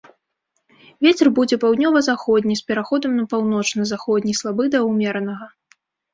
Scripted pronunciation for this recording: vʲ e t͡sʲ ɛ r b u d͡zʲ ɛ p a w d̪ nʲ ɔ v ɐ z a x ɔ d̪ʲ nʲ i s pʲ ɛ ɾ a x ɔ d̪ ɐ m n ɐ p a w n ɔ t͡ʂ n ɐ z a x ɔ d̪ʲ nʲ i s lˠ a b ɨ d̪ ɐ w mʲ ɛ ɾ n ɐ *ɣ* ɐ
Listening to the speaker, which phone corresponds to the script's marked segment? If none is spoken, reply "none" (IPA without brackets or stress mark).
ɣ